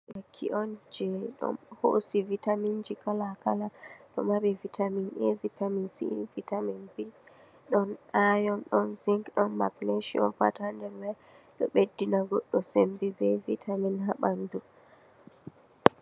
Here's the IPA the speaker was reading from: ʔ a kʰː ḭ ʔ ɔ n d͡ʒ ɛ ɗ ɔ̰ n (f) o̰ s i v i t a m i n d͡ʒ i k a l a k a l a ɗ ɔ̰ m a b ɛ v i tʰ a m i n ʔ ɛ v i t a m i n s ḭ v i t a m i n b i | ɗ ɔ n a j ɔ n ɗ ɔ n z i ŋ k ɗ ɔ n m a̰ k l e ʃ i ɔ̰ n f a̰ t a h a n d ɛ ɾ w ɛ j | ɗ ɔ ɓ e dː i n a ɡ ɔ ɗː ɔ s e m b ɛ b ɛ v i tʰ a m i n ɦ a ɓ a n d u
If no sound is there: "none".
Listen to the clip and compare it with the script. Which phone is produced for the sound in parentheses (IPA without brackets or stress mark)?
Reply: h